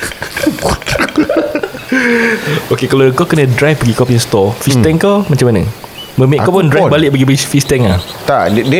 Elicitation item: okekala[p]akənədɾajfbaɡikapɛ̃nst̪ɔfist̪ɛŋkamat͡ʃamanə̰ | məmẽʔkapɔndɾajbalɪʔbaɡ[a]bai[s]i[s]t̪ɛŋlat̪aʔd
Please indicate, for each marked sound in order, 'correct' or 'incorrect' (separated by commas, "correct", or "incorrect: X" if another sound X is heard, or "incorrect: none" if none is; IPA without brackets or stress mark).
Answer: incorrect: k, incorrect: i, incorrect: f, correct